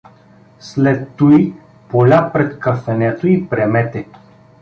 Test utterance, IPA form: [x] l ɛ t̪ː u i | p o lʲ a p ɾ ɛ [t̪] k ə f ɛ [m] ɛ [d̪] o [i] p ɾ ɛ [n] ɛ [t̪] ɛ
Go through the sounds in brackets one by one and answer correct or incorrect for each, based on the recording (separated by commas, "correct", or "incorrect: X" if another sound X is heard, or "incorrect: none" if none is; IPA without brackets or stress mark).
incorrect: s, correct, incorrect: n, incorrect: t̪, correct, incorrect: m, correct